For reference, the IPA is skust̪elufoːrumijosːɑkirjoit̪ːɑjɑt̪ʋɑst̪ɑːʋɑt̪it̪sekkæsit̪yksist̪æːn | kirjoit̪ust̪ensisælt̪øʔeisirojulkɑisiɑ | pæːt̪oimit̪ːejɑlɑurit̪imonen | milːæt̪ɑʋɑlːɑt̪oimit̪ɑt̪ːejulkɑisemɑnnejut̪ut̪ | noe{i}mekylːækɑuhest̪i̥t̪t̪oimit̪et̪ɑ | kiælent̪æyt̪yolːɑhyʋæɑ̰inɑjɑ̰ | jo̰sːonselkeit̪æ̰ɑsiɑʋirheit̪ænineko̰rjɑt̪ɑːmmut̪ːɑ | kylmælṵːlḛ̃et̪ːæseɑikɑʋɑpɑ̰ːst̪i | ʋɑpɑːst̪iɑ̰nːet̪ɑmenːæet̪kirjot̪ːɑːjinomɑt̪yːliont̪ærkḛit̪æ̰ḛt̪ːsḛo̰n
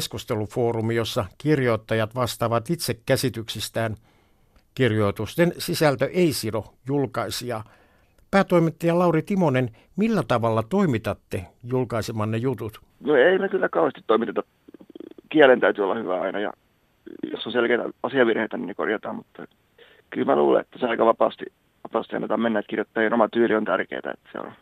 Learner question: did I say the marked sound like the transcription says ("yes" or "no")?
yes